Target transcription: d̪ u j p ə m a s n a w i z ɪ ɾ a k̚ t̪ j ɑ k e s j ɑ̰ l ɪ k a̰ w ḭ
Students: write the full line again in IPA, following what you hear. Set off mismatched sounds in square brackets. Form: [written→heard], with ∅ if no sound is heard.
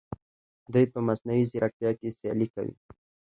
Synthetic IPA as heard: d̪ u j p ə m a s n a w i z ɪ ɾ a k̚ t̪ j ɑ k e s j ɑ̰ l [ɪ→i] k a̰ w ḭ